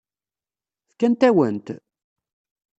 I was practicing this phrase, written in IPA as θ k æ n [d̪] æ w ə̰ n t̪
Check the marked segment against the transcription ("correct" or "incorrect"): incorrect